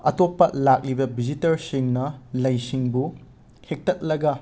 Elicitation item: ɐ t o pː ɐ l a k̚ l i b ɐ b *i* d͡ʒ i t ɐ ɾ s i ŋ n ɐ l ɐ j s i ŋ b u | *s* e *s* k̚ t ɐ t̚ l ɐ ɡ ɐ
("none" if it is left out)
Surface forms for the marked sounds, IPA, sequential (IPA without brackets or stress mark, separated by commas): i, h, none